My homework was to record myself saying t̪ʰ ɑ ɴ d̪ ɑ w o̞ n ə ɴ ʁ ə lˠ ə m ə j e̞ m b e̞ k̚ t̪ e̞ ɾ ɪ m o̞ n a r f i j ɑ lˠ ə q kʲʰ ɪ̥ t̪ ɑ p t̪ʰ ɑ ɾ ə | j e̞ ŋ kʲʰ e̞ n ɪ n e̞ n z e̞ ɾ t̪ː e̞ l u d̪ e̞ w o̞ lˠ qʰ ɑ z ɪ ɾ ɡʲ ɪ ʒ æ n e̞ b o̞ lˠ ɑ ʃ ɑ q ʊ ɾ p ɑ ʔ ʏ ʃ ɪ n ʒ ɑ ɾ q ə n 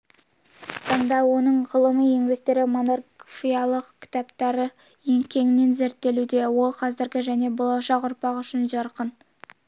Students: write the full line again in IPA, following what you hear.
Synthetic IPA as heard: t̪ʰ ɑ ɴ d̪ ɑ w o̞ n ə ɴ ʁ ə lˠ ə m ə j e̞ ŋ b e̞ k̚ t̪ e̞ ɾ ɪ m o̞ n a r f i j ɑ lˠ ə q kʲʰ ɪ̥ t̪ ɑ p t̪ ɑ ɾ ə | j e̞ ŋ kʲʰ e̞ ŋ ɪ n e̞ n z e̞ ɾ t̪ː e̞ l u d̪ e̞ w o̞ lˠ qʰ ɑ z ɪ ɾ ɡʲ ɪ ʒ æ n e̞ b o̞ lˠ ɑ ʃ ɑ q ʊ ɾ p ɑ q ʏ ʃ ɪ n ʒ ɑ ɾ q ə n